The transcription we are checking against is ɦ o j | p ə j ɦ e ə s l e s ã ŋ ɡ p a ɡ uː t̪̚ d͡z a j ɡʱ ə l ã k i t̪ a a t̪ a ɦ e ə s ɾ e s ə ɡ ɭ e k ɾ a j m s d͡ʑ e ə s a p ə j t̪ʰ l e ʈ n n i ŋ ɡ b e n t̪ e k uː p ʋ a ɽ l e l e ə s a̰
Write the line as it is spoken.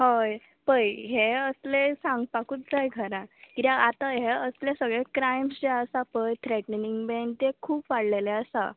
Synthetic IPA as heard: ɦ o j | p ə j ɦ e ə s l e s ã ŋ ɡ p a k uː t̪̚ d͡z a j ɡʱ ə ɾ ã k i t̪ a a t̪ a ɦ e ə s l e s ə ɡ ɭ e k ɾ a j m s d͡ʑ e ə s a p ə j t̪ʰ ɾ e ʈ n n i ŋ ɡ b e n t̪ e kʰ uː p ʋ a ɽ l e l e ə s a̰